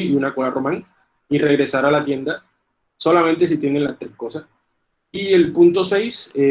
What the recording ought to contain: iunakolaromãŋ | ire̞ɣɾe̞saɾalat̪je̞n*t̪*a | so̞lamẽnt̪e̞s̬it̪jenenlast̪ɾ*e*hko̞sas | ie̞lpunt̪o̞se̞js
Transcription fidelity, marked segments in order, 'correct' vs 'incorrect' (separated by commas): incorrect, correct